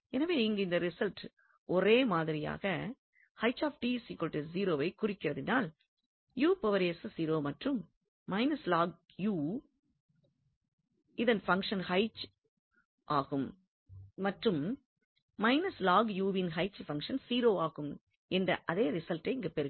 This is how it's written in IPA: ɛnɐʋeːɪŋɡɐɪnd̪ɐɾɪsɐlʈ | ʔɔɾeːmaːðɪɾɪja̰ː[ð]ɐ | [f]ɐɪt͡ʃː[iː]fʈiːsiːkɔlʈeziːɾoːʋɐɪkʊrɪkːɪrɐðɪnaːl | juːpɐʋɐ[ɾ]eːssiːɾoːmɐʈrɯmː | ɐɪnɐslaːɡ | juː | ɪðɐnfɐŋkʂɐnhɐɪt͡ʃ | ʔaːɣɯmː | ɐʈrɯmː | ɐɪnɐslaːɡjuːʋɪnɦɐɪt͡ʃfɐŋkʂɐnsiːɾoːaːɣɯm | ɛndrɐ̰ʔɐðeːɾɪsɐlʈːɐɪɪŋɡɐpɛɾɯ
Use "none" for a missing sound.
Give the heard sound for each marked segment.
ɣ, h, aː, ɾ

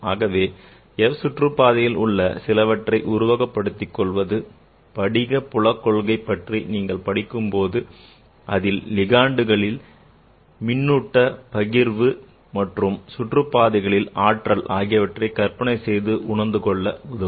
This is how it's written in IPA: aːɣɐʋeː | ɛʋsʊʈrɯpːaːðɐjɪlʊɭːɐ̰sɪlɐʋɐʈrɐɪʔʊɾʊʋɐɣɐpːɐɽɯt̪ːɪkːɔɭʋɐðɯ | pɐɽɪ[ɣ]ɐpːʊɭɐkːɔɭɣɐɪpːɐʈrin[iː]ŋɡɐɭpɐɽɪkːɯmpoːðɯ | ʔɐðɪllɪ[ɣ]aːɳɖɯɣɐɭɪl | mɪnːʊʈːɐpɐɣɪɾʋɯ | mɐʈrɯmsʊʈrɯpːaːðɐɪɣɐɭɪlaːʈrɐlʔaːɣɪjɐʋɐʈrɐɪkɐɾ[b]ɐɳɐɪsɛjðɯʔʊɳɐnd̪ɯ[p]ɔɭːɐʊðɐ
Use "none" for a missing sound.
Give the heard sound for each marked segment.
ɣ, iː, ɣ, p, k

